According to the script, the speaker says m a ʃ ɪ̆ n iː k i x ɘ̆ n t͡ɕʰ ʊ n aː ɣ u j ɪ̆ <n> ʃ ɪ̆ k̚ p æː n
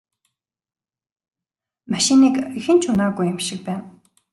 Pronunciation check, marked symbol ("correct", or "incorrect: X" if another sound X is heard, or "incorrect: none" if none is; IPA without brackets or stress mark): incorrect: m